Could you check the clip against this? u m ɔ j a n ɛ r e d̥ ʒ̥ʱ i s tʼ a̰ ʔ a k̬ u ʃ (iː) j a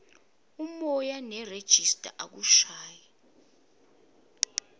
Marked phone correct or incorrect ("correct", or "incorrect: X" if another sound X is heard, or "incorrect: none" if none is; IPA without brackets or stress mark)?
incorrect: aː